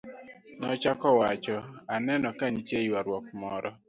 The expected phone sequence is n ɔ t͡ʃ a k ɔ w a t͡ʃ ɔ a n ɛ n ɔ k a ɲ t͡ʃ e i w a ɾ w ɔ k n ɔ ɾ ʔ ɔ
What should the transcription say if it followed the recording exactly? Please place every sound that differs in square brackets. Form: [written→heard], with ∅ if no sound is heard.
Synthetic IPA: n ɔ t͡ʃ a k ɔ w a t͡ʃ ɔ a n ɛ n ɔ k a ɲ t͡ʃ e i w a ɾ w ɔ k [n→m] ɔ ɾ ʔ ɔ